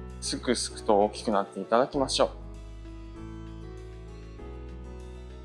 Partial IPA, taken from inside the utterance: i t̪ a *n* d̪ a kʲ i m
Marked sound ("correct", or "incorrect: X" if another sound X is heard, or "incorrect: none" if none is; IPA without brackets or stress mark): incorrect: none